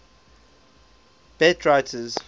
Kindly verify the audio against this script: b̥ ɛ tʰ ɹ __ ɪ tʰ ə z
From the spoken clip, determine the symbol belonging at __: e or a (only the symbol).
a